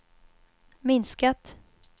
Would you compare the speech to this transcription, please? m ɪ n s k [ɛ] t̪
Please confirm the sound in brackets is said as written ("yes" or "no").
no